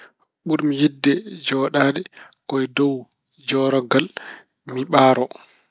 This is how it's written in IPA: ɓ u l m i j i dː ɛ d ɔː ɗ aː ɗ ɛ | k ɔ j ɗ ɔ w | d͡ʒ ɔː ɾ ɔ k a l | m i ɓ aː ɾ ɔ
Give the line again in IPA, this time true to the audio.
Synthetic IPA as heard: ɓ u ɾ m i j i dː ɛ d͡ʒ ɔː ɗ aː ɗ ɛ | k ɔ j d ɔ w | d͡ʒ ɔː ɾ ɔ ɡ a l | m i ɓ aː ɾ ɔ

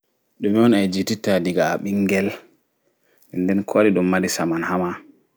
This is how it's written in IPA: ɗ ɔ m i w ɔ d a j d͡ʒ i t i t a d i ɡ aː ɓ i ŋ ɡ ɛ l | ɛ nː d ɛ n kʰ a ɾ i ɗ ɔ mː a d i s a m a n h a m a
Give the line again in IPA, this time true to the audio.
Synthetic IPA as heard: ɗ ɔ m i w ɔ n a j d͡ʒ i t i t a d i ɡ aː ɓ i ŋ ɡ ɛ l | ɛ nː d ɛ n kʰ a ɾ i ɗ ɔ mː a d i s a m a n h a m a

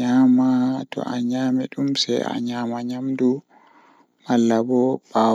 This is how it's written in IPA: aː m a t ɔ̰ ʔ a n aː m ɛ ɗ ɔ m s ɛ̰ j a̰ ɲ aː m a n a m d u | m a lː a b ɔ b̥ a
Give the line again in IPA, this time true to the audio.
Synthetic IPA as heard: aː m a t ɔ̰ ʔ a ɲ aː m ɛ ɗ u m s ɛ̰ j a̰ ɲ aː m a ɲ a m d u | m a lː a b ɔ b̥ a

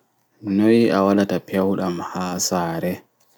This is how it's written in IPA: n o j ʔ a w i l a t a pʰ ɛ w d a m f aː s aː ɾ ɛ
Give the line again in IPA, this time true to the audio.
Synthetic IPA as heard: n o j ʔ a w a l a t a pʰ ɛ w ɗ a m h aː s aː ɾ ɛ

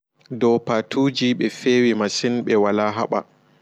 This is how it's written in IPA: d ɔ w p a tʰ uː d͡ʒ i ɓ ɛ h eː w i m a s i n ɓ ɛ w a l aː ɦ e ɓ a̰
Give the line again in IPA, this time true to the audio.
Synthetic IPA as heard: d ɔ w p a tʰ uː d͡ʒ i ɓ ɛ f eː w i m a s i n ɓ ɛ w a l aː ɦ a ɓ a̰

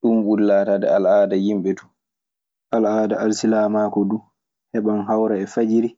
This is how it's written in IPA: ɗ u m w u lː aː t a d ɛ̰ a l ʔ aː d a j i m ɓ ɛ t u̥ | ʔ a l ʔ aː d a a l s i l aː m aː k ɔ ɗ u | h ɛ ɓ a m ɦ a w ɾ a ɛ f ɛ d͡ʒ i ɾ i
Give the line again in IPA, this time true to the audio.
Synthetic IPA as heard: ɗ u m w u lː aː t a d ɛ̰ a l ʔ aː d a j i m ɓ ɛ t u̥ | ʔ a l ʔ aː d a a l s i l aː m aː k ɔ d u | h ɛ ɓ a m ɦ a w ɾ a ɛ f a d͡ʒ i ɾ i

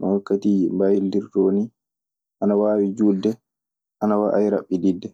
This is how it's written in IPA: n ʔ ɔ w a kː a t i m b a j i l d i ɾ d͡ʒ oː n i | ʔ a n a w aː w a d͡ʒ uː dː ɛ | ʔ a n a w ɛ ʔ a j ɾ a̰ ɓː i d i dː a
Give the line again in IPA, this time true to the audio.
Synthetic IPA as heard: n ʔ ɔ w a kː a t i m b a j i l d i ɾ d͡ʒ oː n i | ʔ a n a w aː w i d͡ʒ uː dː ɛ | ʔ a n a w a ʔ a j ɾ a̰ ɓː i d i dː ɛ

